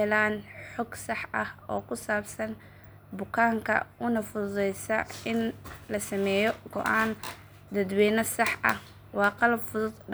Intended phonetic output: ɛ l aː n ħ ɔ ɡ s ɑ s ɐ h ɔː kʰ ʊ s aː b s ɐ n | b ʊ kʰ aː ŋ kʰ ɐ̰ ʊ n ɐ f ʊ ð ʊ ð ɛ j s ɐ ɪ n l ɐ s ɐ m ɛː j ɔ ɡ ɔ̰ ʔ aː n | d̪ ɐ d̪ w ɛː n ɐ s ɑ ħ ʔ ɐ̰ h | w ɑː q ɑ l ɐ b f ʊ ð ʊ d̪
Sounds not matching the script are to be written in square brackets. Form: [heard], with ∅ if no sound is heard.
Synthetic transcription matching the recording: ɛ l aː n ħ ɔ ɡ s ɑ [ħ] ɐ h ɔː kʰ ʊ s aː b s ɐ n | b ʊ kʰ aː ŋ kʰ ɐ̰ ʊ n ɐ f ʊ ð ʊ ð ɛ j s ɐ ɪ n l ɐ s ɐ m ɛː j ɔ ɡ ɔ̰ ʔ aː n | d̪ ɐ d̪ w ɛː n ɐ s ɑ ħ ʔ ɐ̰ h | w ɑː q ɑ l ɐ b f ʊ ð ʊ d̪